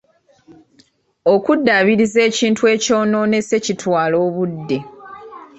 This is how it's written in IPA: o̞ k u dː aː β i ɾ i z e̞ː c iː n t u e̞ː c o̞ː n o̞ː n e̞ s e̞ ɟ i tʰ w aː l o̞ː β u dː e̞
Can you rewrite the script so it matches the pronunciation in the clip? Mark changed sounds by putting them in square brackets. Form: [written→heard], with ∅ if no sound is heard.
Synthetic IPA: o̞ k u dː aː β i ɾ i z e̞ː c iː n t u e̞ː c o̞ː n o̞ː n e̞ s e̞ [ɟ→c] i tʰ w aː l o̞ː β u dː e̞

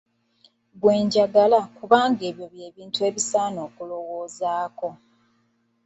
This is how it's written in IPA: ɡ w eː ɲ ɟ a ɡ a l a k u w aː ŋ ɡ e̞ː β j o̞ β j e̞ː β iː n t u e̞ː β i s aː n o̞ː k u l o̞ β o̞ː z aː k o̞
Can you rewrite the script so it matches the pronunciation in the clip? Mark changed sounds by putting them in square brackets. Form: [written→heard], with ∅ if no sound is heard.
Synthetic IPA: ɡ w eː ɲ ɟ a ɡ a l a k u [w→β] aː ŋ ɡ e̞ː β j o̞ β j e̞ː β iː n t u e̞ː β i s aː n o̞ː k u l o̞ [β→w] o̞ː z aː k o̞

